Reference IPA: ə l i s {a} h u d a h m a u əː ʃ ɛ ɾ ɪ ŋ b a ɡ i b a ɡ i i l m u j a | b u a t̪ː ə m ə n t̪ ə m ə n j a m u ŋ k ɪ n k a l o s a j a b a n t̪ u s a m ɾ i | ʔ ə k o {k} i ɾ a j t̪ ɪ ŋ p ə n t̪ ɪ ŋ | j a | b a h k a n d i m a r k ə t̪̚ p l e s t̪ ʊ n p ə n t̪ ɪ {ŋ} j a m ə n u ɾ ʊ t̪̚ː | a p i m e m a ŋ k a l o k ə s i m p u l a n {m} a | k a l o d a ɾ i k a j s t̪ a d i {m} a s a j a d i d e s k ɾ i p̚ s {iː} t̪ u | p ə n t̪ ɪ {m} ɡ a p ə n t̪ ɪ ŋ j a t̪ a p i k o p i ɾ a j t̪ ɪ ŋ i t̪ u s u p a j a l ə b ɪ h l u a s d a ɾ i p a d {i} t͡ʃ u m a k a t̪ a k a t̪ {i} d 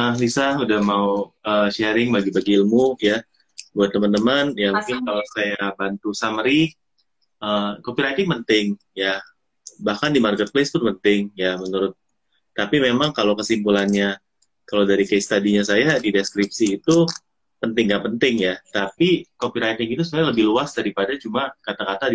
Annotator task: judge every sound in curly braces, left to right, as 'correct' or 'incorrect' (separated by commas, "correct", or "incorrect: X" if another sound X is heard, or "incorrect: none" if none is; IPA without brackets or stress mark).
correct, incorrect: p, correct, incorrect: ɲ, incorrect: ɲ, correct, incorrect: ŋ, incorrect: a, incorrect: a